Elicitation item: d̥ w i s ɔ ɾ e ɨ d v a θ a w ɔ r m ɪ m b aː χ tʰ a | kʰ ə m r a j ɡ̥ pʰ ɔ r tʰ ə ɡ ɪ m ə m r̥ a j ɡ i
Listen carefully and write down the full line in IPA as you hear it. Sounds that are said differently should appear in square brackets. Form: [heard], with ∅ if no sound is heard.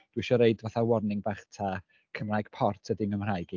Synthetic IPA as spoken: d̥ w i [ʃ] ɔ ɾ e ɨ d v a θ a w ɔ r [n] ɪ [ŋ] b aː χ tʰ a | kʰ ə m r a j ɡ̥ pʰ ɔ r tʰ ə [d] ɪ m ə m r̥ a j ɡ i